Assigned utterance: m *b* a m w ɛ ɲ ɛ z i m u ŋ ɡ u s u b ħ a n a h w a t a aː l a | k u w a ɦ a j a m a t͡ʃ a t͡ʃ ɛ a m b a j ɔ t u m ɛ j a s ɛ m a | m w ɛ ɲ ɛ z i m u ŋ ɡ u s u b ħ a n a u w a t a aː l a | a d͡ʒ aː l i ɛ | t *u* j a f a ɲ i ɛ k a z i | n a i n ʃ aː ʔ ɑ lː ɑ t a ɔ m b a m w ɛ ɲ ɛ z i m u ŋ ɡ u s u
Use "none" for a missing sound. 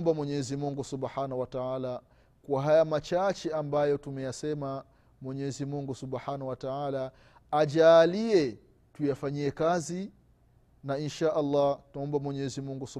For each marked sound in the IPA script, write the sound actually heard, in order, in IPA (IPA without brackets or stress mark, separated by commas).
b, u